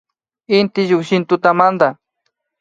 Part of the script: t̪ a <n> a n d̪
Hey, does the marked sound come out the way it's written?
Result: no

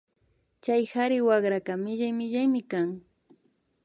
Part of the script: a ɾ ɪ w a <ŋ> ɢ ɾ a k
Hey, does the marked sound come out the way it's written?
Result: no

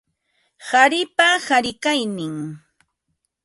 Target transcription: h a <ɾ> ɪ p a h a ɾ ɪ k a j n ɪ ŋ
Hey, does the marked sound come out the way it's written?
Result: yes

